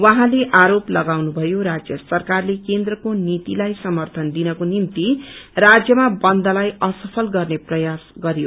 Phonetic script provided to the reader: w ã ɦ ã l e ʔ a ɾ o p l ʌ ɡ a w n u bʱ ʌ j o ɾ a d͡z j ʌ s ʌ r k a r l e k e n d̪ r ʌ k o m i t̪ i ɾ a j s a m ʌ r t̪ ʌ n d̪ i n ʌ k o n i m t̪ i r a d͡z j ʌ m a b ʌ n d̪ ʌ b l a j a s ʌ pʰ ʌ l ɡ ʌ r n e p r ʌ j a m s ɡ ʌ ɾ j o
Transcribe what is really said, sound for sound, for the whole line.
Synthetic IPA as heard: w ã ɦ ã l e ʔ a ɾ o p l ʌ ɡ a w n u bʱ ʌ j o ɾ a d͡z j ʌ s ʌ r k a r l e k e n d̪ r ʌ k o n i t̪ i l a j s ʌ m ʌ r t̪ʰ ʌ n d̪ i n ʌ k o n i m t̪ i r a d͡z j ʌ m a b ʌ n d̪ ʌ l a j ʌ s ʌ pʰ ʌ l ɡ ʌ r n e p r ʌ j a s ɡ ʌ ɾ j o